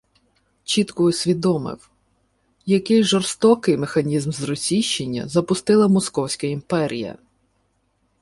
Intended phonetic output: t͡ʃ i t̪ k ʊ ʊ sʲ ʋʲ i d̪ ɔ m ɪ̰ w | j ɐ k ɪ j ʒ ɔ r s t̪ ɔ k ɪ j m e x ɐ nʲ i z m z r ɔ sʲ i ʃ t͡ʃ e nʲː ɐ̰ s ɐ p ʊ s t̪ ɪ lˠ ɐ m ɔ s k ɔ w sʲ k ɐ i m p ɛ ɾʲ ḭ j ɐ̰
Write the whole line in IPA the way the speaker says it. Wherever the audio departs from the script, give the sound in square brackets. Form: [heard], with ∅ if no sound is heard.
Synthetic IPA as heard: t͡ʃ i t̪ k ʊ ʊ sʲ ʋʲ i d̪ ɔ m ɪ̰ w | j ɐ k ɪ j ʒ ɔ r s t̪ ɔ k ɪ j m e x ɐ nʲ i z m z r ɔ sʲ i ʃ t͡ʃ e nʲː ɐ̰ [z] ɐ p ʊ s t̪ ɪ lˠ ɐ m ɔ s k ɔ w sʲ k ɐ i m p ɛ ɾʲ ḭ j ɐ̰